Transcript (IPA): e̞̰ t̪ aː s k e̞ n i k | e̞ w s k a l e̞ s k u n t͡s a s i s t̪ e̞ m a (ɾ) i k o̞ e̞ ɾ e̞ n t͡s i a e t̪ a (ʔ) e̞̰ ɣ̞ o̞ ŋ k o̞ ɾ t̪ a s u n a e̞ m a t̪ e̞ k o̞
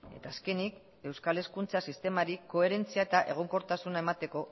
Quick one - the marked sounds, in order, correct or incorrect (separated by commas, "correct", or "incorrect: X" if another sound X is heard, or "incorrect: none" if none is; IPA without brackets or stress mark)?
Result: correct, correct